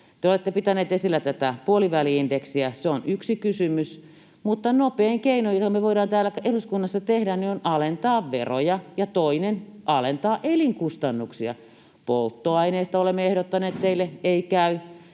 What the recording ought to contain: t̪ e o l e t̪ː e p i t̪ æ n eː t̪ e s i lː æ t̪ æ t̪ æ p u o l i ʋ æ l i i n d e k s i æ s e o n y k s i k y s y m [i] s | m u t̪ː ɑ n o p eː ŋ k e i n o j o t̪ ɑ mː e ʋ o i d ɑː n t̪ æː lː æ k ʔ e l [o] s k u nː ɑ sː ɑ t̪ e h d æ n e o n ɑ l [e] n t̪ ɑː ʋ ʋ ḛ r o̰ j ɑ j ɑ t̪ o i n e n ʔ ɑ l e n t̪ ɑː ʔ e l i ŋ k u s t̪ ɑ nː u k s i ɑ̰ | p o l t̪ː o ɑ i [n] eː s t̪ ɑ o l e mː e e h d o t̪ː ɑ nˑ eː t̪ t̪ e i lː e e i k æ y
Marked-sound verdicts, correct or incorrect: incorrect, incorrect, correct, correct

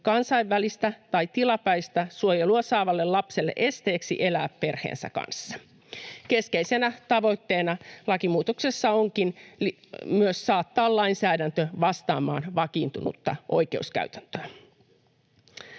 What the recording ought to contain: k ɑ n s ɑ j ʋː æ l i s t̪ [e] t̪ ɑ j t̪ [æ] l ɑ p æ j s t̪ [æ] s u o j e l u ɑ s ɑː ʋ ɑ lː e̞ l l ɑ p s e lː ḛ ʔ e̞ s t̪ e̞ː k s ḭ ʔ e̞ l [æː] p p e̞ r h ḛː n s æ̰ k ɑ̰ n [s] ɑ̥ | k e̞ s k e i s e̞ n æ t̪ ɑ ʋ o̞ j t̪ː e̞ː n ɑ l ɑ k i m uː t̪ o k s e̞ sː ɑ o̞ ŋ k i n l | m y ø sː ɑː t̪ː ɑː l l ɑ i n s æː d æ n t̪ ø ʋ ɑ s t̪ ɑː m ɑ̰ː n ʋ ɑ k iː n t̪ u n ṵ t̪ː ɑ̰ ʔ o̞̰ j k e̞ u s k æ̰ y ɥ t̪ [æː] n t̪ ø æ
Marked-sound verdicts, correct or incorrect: incorrect, incorrect, correct, correct, incorrect, incorrect

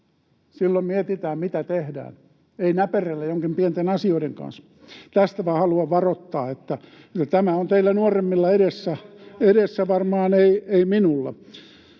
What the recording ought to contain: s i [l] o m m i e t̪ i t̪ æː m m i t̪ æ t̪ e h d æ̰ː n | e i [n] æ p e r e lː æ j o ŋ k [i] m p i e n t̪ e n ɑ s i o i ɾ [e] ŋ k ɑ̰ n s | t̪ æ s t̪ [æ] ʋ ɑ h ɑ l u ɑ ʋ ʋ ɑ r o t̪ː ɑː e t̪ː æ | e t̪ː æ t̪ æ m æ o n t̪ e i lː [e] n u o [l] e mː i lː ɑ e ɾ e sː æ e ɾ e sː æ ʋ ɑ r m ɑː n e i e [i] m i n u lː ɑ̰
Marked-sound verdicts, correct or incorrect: incorrect, correct, correct, correct, correct, incorrect, incorrect, correct

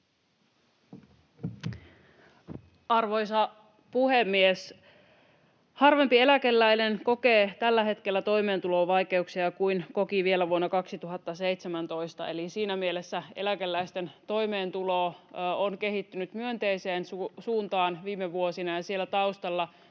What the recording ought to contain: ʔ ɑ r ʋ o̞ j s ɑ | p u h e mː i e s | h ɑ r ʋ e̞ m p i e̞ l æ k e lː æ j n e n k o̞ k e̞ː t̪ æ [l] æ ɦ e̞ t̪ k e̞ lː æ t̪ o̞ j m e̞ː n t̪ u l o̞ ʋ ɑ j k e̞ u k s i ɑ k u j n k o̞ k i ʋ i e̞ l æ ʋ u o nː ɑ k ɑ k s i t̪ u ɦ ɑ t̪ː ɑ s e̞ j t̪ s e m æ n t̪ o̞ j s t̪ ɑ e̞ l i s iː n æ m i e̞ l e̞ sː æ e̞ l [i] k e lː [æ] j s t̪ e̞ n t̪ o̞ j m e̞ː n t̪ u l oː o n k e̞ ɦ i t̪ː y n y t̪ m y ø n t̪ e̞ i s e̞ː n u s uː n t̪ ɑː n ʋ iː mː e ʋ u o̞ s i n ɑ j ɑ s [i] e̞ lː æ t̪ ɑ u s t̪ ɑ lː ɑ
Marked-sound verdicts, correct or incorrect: incorrect, incorrect, correct, correct

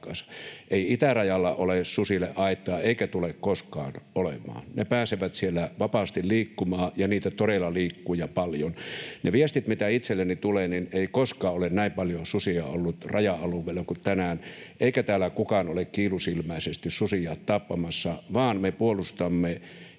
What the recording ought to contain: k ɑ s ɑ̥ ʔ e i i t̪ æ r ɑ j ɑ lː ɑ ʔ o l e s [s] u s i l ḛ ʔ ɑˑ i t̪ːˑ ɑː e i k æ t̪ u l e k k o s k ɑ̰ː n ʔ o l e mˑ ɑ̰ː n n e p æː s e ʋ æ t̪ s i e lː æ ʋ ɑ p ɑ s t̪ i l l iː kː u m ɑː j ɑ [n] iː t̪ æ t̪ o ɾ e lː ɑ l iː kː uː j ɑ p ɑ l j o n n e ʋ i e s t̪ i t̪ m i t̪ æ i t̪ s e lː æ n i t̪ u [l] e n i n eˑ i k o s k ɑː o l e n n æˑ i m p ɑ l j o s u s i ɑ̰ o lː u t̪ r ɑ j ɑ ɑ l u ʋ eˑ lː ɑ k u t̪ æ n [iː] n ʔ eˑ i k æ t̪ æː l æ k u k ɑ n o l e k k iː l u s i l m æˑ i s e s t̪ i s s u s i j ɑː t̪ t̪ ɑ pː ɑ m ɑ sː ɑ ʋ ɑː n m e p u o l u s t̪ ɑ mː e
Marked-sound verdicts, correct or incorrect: correct, correct, correct, incorrect

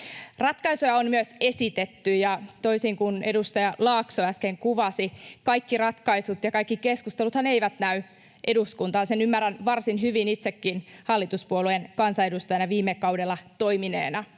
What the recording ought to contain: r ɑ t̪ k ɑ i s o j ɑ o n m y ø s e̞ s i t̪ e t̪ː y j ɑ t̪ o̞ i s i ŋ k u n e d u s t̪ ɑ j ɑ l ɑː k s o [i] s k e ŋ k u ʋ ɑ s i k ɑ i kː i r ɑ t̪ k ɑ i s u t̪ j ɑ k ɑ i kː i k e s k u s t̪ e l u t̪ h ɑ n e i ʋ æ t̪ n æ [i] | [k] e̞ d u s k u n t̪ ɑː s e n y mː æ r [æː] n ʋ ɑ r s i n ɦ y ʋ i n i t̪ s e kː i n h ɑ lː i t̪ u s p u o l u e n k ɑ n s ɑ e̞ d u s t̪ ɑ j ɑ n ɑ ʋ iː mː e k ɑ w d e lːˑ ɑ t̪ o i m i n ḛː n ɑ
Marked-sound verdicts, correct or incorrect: incorrect, incorrect, incorrect, incorrect

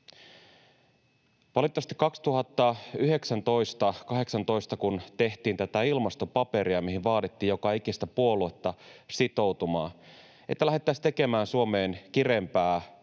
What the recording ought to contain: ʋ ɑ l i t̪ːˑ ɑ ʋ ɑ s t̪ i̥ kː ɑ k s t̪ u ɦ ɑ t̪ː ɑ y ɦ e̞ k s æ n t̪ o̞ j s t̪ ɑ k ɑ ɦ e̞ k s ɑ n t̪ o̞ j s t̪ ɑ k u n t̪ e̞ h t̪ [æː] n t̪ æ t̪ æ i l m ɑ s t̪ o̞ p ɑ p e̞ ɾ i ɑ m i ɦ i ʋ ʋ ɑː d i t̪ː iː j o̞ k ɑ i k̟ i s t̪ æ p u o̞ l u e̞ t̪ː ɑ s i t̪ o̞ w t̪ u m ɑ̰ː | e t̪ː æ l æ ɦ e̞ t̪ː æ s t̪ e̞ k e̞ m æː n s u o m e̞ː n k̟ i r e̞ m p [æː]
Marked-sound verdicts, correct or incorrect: incorrect, correct

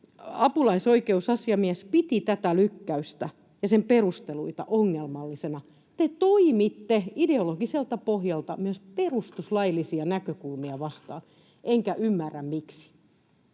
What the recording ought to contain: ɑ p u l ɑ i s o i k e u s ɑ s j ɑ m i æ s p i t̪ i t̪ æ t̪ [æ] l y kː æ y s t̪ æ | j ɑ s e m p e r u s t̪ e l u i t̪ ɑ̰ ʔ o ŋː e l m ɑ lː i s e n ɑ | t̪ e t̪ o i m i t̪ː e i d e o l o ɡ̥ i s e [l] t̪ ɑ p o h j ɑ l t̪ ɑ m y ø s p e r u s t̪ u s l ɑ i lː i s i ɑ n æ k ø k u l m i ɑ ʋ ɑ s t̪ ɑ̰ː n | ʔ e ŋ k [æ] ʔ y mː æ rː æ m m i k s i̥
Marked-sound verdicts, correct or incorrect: correct, correct, correct

